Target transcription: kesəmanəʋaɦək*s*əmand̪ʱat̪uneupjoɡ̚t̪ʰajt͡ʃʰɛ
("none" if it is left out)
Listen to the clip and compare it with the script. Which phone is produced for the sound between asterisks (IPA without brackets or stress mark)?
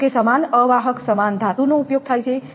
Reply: s